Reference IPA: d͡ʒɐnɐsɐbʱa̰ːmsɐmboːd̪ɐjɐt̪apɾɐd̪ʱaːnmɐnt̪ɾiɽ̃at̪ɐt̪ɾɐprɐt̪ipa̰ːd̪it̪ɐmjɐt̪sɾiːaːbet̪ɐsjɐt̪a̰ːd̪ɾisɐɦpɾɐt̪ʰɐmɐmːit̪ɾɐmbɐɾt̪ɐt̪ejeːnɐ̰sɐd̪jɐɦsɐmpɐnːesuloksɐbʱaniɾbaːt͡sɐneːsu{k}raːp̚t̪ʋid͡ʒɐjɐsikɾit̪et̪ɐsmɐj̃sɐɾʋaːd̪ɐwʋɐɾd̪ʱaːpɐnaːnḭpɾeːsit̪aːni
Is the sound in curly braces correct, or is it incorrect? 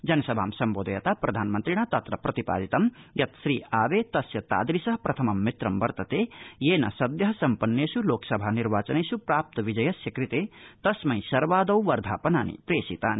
incorrect